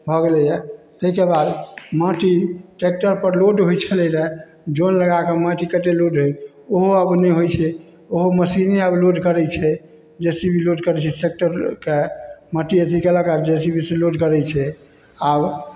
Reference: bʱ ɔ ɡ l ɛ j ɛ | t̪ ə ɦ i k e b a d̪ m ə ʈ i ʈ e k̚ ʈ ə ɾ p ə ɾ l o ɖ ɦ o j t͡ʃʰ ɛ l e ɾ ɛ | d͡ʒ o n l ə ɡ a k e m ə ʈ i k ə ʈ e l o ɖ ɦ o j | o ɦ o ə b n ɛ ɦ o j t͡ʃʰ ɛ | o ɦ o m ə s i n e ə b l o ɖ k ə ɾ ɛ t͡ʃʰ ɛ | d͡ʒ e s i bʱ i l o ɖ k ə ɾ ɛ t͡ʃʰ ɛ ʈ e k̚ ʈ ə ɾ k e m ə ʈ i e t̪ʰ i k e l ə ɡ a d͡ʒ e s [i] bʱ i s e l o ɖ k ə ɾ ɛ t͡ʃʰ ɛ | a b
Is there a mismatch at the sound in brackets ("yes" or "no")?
no